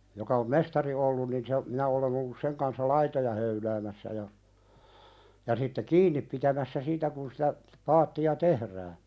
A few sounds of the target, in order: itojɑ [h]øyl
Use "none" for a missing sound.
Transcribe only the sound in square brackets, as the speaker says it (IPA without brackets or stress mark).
h